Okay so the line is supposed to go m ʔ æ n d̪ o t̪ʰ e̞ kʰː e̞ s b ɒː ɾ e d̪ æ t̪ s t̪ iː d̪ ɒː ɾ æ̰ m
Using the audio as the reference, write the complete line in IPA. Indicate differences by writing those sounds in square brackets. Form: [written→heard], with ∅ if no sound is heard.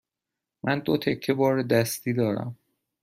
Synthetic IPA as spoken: m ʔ æ n d̪ o t̪ʰ e̞ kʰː e̞ [s→∅] b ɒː ɾ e d̪ æ [t̪→∅] s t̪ iː d̪ ɒː ɾ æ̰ m